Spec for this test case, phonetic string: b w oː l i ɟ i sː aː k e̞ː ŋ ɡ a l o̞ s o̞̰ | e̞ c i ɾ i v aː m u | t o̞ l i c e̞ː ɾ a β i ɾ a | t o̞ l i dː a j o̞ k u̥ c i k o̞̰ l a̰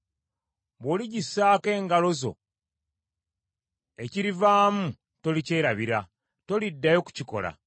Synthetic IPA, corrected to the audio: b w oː l i ɟ i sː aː k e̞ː ŋ ɡ a l o̞ z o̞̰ | e̞ c i ɾ i v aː m u | t o̞ l i c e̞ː ɾ a β i ɾ a | t o̞ l i dː a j o̞ k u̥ c i k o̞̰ l a̰